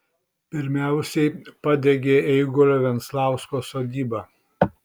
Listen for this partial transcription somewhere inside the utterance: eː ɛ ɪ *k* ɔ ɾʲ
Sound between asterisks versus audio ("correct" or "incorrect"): incorrect